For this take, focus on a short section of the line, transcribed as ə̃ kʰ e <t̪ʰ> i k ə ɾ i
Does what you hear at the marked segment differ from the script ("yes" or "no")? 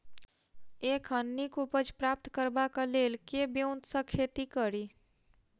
yes